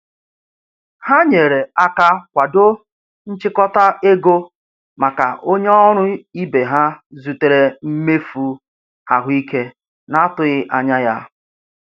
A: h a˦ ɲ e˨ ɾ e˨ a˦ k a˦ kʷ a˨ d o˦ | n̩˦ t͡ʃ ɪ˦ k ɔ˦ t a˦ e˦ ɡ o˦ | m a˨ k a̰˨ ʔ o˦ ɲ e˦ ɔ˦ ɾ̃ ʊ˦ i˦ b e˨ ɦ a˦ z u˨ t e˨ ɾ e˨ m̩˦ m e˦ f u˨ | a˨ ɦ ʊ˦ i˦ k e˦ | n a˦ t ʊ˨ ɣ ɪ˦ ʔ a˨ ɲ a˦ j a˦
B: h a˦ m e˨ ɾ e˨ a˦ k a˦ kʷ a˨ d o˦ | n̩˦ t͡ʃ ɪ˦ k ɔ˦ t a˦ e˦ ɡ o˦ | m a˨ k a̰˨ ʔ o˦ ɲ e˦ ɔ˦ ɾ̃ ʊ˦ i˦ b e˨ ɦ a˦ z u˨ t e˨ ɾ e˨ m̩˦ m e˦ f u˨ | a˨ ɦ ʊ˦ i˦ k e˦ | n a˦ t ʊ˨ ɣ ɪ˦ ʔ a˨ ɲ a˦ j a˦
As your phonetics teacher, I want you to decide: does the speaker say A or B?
A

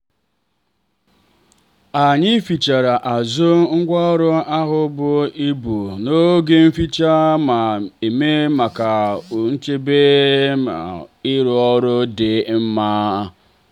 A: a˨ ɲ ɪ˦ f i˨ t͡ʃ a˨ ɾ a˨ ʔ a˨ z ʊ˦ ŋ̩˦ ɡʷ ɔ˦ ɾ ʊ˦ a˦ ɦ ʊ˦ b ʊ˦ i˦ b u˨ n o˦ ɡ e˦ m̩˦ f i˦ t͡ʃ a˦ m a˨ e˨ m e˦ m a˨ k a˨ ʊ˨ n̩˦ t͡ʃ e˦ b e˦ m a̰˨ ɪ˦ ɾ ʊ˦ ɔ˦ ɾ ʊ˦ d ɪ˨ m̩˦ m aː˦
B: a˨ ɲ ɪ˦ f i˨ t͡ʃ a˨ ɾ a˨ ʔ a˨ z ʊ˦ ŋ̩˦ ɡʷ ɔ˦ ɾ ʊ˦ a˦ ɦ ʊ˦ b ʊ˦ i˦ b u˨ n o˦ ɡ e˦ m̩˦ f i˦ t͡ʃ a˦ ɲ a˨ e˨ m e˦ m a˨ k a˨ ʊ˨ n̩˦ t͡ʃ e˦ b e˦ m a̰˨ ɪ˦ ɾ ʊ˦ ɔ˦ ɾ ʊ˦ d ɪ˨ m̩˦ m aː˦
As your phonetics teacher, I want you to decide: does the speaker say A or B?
A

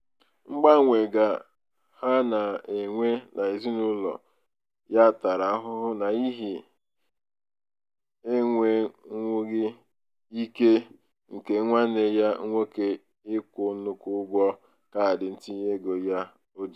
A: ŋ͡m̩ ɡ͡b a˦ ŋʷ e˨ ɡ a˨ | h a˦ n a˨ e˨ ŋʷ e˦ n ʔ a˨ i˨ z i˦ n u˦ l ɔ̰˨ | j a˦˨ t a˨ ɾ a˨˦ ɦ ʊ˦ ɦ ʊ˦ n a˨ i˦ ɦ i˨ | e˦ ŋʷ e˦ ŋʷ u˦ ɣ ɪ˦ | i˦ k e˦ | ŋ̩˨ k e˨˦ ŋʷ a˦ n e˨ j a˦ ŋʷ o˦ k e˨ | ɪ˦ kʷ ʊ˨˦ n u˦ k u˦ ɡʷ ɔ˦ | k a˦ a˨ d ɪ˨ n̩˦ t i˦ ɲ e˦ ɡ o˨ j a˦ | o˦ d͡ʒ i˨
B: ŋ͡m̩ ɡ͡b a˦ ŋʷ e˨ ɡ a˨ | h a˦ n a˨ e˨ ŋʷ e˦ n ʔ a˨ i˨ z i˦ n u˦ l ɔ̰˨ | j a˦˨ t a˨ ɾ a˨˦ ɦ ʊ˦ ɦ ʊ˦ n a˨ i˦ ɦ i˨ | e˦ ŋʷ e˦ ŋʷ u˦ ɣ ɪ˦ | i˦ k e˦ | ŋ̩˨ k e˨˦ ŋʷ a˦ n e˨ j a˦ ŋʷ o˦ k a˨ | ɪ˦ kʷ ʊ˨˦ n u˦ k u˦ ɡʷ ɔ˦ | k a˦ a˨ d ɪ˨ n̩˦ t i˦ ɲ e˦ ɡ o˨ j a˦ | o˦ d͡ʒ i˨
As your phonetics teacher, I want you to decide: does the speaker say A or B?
A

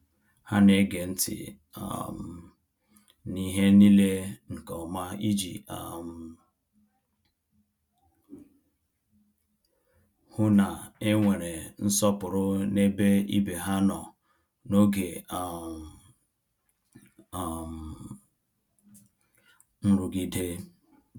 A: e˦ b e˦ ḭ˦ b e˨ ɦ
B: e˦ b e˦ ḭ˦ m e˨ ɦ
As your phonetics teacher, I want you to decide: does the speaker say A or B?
A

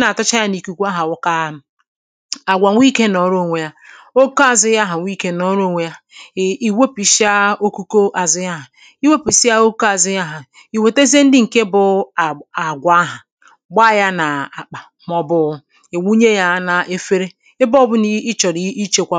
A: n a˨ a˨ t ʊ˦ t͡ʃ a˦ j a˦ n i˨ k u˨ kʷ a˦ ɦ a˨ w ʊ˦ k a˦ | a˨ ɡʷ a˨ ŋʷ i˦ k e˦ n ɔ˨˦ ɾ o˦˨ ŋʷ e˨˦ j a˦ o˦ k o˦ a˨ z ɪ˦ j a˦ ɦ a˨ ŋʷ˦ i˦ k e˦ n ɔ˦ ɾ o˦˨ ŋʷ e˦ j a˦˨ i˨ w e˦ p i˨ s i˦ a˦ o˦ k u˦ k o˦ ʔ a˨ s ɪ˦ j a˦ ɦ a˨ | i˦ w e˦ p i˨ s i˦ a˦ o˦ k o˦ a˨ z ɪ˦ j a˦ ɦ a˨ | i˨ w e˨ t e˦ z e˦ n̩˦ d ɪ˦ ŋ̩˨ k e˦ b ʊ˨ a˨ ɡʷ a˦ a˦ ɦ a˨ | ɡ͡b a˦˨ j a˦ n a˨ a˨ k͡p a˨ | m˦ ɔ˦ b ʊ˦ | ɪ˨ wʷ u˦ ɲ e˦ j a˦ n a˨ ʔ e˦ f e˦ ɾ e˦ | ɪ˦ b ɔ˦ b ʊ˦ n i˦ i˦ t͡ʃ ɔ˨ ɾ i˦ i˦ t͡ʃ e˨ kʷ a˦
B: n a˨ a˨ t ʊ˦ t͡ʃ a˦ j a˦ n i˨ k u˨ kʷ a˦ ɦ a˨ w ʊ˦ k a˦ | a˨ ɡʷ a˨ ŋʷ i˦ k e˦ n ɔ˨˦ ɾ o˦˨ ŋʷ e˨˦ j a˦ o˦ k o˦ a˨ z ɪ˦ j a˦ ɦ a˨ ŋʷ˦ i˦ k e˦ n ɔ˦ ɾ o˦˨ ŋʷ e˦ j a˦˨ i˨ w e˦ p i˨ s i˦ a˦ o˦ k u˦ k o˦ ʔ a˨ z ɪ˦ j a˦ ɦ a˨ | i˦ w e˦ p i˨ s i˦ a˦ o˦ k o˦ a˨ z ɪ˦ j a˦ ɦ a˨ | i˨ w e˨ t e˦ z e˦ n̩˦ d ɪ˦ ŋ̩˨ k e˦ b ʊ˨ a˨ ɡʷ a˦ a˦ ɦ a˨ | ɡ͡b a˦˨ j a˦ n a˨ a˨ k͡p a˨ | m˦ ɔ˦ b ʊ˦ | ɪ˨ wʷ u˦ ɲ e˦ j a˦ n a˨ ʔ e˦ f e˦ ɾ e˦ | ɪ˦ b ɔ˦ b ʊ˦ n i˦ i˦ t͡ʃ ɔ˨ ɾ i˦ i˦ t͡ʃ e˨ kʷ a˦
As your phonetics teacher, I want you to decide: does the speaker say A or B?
B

